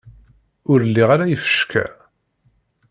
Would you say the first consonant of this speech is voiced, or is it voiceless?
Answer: voiced